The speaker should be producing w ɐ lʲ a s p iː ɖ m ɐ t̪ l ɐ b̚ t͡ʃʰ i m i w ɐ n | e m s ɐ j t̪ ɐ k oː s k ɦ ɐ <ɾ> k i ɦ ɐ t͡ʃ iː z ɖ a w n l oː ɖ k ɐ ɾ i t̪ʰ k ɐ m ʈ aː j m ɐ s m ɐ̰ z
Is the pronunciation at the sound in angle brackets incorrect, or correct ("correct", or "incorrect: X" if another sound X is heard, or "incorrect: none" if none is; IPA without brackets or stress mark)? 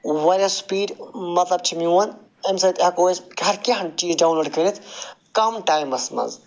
correct